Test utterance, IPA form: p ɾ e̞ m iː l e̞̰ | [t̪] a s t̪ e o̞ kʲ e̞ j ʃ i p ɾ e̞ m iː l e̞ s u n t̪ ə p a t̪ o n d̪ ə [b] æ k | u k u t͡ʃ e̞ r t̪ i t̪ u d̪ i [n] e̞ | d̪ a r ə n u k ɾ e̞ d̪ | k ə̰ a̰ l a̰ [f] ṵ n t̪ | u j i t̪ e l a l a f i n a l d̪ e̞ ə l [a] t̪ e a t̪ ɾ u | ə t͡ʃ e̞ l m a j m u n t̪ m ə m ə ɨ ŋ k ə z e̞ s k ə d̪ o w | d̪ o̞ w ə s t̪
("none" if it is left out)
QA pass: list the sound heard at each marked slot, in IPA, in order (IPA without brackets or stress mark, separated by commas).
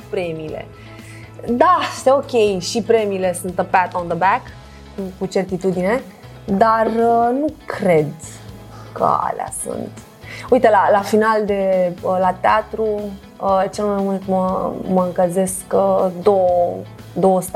d̪, b, n, s, a